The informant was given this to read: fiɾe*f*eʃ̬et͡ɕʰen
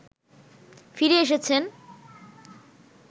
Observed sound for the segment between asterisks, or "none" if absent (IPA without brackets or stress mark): none